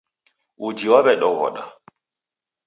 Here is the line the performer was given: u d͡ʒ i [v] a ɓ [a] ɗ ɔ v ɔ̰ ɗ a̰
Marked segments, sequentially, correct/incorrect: incorrect, incorrect

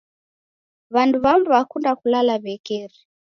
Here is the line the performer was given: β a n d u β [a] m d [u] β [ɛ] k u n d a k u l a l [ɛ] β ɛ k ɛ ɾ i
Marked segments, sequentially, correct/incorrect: correct, correct, incorrect, incorrect

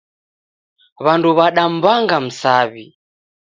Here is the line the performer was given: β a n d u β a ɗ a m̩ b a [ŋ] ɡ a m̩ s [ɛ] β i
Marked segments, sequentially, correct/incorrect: correct, incorrect

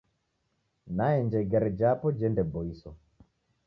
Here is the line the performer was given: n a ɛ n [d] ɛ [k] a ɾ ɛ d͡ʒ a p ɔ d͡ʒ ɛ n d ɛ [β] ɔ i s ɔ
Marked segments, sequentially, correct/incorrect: incorrect, incorrect, incorrect

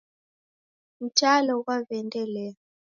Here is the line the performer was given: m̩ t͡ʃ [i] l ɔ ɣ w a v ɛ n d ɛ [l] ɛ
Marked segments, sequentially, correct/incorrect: incorrect, correct

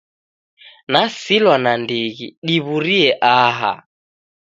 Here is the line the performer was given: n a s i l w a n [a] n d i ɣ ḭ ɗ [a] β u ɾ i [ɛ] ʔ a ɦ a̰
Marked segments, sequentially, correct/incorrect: correct, incorrect, correct

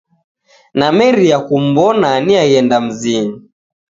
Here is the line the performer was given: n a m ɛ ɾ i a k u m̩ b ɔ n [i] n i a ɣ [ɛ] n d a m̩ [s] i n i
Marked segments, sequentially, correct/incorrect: incorrect, correct, incorrect

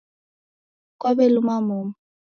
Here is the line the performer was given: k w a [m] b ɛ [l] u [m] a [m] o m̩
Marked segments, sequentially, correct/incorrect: incorrect, correct, correct, correct

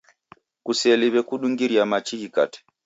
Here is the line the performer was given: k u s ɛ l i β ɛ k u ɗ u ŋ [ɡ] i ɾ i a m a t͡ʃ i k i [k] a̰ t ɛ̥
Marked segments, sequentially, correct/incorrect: correct, correct

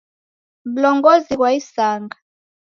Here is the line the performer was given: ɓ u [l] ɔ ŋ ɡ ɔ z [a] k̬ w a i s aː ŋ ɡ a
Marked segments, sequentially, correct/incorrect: correct, incorrect

